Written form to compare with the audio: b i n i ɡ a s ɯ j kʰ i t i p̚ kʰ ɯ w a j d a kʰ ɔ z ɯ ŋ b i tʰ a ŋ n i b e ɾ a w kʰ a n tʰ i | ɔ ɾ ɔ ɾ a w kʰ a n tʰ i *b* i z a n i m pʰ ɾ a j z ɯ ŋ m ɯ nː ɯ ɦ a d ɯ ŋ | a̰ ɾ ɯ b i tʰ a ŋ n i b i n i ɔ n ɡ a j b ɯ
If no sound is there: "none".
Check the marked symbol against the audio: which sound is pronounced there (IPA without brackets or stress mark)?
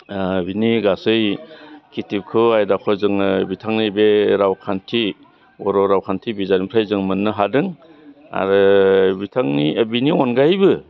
b